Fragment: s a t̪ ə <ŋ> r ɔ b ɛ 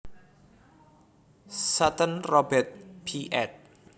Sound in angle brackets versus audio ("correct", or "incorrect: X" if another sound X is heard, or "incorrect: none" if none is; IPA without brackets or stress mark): incorrect: n